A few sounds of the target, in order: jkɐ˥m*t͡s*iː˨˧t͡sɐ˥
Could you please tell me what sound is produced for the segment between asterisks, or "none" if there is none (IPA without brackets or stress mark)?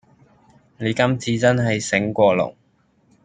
t͡sʰ